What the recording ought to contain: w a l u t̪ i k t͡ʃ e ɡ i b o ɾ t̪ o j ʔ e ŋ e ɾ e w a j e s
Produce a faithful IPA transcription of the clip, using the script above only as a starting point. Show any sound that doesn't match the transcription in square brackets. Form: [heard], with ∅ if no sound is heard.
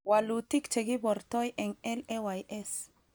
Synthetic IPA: w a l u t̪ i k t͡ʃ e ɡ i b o ɾ t̪ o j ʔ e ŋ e [l] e w a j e s